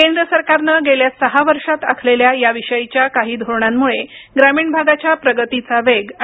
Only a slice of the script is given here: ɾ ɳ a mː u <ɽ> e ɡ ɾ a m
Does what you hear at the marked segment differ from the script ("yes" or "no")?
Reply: yes